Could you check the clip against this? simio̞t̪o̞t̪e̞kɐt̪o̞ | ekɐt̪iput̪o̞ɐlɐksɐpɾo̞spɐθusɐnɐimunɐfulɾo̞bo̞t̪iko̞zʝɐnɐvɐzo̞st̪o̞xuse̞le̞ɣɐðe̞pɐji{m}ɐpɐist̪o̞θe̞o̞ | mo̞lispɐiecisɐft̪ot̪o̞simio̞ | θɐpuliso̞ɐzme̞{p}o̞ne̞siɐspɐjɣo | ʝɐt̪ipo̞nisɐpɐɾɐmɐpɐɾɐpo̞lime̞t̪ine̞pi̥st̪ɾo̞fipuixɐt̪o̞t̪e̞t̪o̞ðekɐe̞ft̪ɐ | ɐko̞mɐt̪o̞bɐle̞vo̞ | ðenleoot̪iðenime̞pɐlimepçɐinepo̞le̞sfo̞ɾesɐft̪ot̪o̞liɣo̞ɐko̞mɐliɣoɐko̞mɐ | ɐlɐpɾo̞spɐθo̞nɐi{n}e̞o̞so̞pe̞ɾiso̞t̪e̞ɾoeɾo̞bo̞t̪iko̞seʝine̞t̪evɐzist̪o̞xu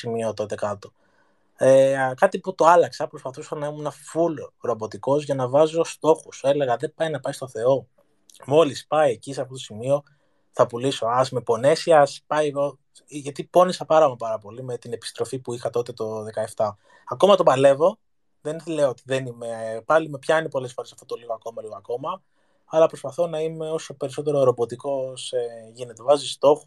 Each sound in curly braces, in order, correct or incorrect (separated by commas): incorrect, correct, incorrect